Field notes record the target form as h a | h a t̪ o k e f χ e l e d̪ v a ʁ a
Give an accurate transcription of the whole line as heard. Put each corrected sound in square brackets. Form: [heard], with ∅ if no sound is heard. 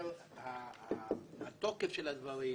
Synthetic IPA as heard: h a | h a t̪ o k e f [ʃ] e l [a] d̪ v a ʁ [i]

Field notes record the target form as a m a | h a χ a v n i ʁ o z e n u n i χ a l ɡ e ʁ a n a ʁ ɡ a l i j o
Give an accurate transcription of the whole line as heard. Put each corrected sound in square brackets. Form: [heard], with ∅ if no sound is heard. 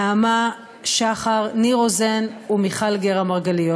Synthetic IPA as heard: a m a | [ʃ] a χ a [ʁ] n i ʁ o z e n u [m] i χ a l ɡ e ʁ a [m] a ʁ ɡ a l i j o

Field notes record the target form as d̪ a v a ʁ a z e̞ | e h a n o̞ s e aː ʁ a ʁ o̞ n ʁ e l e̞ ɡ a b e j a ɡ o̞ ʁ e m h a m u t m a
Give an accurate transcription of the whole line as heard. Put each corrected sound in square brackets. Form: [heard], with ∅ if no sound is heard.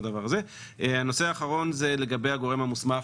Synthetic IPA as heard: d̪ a v a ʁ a z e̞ | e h a n o̞ s e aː [χ] a ʁ o̞ n [z] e l e̞ ɡ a b e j a ɡ o̞ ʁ e m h a m u [s] m a

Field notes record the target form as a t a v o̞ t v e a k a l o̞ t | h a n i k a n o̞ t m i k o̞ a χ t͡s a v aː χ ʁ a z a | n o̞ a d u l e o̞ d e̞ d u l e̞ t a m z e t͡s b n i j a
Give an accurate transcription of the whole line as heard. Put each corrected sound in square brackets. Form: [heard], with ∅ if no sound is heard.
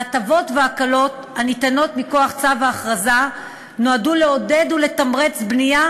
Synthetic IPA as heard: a t a v o̞ t v e a k a l o̞ t | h a n i [t] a n o̞ t m i k o̞ a χ t͡s a v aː χ ʁ a z a | n o̞ a d u l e o̞ d e̞ d u l e̞ t a m [ʁ] e t͡s b n i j a

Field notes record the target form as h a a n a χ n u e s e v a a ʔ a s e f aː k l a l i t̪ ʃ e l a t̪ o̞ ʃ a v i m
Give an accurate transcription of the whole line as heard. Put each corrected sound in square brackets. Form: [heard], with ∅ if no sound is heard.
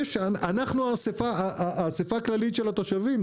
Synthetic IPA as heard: [ʃ] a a n a χ n u [a] s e [f] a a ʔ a s e f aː k l a l i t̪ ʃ e l a t̪ o̞ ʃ a v i m

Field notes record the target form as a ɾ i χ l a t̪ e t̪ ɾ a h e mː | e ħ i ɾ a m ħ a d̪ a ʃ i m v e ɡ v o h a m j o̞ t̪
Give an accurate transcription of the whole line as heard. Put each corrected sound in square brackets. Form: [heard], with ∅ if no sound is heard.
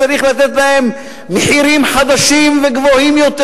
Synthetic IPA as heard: a ɾ i χ l a t̪ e t̪ [l] a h e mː | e ħ i ɾ [i] m ħ a d̪ a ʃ i m v e ɡ v o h [i] m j o̞ t̪

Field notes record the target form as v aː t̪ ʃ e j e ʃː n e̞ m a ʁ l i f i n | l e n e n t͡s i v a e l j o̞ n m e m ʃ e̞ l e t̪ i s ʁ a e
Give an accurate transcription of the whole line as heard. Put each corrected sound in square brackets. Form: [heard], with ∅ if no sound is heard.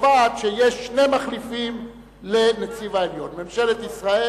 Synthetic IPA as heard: v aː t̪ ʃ e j e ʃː n e̞ m a [χ] l i f i [m] | l e n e [∅] t͡s i v a e l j o̞ n m e m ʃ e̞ l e t̪ i s ʁ a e

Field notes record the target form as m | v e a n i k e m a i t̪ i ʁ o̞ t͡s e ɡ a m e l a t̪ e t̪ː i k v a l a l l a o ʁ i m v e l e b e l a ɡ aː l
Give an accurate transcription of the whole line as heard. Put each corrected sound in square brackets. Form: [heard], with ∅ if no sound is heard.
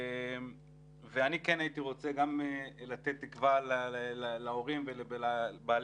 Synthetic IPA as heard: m | v e a n i k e [n] a i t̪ i ʁ o̞ t͡s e ɡ a m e l a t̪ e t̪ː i k v a l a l l a o ʁ i m v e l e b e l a [b] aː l

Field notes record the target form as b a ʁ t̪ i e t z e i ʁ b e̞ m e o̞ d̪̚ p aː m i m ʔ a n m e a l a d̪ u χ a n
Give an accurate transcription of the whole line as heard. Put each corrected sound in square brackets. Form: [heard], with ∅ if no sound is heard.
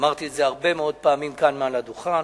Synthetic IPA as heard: [m] a ʁ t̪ i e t z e [a] ʁ b e̞ m e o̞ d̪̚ p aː m i m [k] a n m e a l a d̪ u χ a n

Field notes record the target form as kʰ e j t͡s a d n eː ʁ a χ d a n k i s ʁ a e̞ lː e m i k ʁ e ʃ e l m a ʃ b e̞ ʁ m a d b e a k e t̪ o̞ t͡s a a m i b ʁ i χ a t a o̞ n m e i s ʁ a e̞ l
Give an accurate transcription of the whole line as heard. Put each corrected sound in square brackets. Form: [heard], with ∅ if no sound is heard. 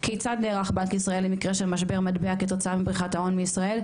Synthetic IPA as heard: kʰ e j t͡s a d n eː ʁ a χ [b] a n k i s ʁ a e̞ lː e m i k ʁ e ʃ e l m a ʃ b e̞ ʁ m a d b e a k e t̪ o̞ t͡s a a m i b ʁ i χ a t a o̞ n m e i s ʁ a e̞ l

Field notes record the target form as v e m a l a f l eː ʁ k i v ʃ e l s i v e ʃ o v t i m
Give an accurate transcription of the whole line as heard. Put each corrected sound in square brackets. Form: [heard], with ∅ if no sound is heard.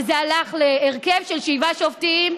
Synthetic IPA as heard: [z] e [∅] a l a [χ] l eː ʁ k [e] v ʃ e l [ʃ] i v [a] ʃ o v t i m

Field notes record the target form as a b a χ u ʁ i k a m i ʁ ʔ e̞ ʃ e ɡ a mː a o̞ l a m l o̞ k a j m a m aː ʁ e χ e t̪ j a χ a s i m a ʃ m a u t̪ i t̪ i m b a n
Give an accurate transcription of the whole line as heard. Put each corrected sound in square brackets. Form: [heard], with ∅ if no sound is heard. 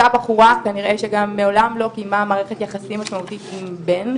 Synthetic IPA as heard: a b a χ u ʁ [a] k a [n] i ʁ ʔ e̞ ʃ e ɡ a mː [e] o̞ l a m l o̞ k [i] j m a m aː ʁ e χ e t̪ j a χ a s i m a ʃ m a u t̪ i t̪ i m b [e] n

